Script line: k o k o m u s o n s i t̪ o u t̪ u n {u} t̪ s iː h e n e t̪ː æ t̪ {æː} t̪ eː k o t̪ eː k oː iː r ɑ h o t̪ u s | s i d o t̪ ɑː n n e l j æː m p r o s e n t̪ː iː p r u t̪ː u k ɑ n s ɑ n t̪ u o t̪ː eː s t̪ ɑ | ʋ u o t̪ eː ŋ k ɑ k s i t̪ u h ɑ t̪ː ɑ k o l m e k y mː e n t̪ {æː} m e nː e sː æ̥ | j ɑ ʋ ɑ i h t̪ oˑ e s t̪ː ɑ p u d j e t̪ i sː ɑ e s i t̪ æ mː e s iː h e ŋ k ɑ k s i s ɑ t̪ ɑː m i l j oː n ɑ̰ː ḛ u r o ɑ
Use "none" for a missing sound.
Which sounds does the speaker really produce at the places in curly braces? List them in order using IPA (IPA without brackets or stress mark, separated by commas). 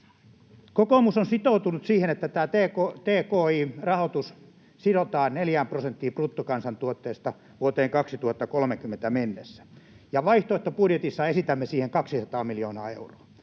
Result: u, æː, æ